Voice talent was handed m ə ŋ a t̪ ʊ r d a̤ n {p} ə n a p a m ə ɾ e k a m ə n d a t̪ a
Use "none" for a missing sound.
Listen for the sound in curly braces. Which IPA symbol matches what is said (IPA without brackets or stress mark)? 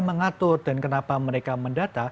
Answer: k